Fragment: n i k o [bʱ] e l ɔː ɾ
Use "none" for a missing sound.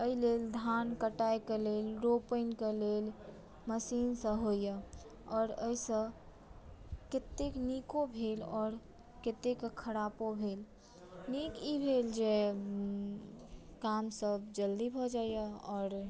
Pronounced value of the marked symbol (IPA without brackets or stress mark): bʱ